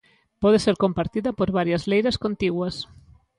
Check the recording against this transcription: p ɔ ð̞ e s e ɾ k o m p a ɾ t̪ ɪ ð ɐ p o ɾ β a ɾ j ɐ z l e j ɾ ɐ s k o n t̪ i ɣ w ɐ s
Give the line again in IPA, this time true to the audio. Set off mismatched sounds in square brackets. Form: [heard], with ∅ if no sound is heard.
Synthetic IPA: p ɔ ð̞ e s e ɾ k o m p a ɾ t̪ [i] ð ɐ p o ɾ β a ɾ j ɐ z l e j ɾ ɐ s k o n t̪ i ɣ w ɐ s